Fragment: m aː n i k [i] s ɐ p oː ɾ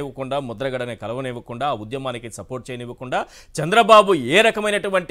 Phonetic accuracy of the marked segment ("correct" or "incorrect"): correct